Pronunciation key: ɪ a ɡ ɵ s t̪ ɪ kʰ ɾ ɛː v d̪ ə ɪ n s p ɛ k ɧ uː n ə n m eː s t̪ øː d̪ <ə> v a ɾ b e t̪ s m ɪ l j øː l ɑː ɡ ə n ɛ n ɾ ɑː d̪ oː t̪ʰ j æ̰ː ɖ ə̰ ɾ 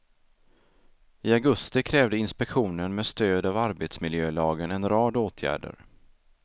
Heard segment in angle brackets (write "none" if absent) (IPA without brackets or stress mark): a